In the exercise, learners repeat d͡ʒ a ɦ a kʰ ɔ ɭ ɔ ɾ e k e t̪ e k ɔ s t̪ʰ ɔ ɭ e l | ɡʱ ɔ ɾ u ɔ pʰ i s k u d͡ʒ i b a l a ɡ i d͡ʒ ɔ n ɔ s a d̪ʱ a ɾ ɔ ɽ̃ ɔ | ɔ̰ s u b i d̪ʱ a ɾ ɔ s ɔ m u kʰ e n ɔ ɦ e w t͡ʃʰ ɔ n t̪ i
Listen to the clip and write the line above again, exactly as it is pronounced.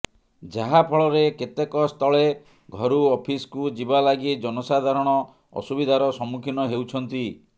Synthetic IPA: d͡ʒ a ɦ a pʰ ɔ ɭ ɔ ɾ e k e t̪ e k ɔ s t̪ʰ ɔ ɭ e | ɡʱ ɔ ɾ u ɔ pʰ i s k u d͡ʒ i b a l a ɡ i d͡ʒ ɔ n ɔ s a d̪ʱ a ɾ ɔ ɽ̃ ɔ | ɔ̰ s u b i d̪ʱ a ɾ ɔ s ɔ m u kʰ i n ɔ ɦ e w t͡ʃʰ ɔ n t̪ i